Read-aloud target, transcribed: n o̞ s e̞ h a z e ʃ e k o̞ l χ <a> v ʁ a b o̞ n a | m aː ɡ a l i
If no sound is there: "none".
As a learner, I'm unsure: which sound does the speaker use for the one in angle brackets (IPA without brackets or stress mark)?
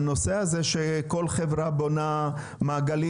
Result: e